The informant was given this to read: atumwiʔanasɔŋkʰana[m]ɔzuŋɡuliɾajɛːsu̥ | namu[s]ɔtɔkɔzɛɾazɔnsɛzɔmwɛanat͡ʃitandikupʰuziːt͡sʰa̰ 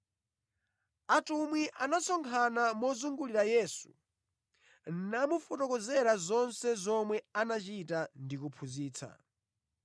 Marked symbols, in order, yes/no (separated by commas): yes, no